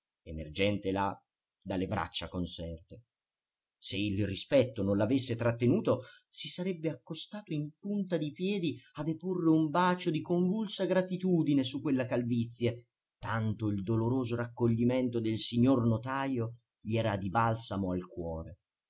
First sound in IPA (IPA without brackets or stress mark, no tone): e